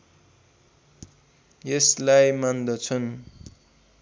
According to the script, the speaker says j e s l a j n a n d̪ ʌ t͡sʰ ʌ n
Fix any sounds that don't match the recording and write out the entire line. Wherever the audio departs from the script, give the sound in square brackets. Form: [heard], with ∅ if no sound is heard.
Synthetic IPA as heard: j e s l a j [m] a n d̪ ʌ t͡sʰ ʌ n